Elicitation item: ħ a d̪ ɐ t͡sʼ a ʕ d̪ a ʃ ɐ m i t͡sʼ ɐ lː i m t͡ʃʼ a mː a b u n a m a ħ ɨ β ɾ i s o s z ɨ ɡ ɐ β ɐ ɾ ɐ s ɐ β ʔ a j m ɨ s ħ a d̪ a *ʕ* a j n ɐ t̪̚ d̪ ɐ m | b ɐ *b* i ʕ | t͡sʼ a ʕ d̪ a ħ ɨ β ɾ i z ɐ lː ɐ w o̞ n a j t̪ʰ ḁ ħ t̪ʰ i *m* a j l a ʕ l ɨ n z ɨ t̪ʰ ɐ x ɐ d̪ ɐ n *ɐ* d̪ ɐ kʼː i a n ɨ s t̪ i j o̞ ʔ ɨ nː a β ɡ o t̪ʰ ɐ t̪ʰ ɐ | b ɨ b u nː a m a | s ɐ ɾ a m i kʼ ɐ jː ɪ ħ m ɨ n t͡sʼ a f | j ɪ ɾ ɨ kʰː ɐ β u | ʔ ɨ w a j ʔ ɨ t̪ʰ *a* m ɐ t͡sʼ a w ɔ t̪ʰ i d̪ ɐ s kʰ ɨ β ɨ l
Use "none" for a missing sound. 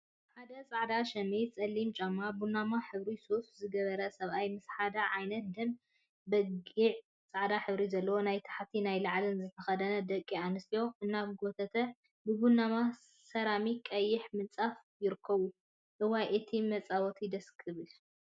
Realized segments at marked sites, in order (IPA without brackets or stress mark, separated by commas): ʕ, ɡ, n, ɐ, i